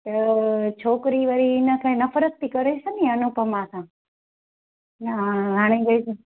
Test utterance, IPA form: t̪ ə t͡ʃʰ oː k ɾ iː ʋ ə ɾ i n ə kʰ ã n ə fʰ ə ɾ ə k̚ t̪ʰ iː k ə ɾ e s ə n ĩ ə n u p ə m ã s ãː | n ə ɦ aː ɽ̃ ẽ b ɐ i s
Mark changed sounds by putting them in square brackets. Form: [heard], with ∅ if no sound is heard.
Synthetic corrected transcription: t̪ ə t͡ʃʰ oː k ɾ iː ʋ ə ɾ i n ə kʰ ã n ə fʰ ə ɾ ə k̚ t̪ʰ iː k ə ɾ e s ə n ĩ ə n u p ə m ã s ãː | n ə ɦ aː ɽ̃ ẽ [ɡ] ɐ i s